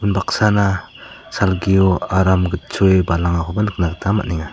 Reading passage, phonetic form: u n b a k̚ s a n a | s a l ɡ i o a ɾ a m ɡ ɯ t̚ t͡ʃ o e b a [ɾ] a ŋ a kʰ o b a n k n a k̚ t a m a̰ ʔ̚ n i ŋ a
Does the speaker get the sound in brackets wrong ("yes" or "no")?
yes